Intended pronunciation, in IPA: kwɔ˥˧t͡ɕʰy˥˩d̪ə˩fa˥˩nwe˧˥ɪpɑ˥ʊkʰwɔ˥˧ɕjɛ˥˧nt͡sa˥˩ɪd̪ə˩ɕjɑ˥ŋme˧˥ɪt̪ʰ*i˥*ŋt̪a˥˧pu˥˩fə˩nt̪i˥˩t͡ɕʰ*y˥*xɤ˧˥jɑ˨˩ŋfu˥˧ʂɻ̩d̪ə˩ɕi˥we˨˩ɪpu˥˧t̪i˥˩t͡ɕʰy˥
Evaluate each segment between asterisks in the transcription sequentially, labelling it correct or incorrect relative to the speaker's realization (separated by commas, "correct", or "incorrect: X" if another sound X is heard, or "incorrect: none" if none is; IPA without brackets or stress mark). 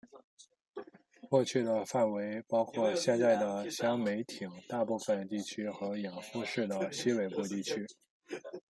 incorrect: i˨˩, correct